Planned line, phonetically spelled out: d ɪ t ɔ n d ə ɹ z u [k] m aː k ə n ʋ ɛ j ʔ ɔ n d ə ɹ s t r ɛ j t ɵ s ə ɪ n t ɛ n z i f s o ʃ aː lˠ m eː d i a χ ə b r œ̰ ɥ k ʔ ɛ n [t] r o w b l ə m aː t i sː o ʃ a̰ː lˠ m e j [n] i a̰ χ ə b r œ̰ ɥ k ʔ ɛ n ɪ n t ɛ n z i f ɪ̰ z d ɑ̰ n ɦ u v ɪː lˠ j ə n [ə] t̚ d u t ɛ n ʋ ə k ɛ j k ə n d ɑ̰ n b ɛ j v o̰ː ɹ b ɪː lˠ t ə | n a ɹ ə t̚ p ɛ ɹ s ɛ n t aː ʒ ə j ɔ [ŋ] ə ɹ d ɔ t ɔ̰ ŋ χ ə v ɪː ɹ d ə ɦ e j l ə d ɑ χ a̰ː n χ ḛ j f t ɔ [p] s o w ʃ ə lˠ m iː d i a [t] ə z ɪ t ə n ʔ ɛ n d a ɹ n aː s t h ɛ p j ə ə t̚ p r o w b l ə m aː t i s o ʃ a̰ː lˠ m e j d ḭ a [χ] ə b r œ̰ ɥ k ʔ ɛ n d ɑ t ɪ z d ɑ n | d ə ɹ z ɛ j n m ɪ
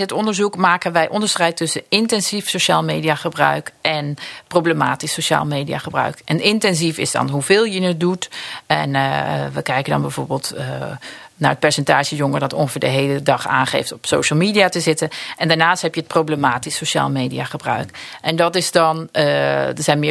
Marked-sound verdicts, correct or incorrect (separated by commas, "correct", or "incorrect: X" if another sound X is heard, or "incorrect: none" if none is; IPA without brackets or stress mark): correct, incorrect: p, incorrect: d, correct, correct, correct, correct, correct